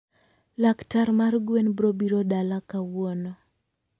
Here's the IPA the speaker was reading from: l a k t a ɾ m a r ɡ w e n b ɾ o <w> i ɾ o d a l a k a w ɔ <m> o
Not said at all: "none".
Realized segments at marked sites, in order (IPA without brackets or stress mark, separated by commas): b, n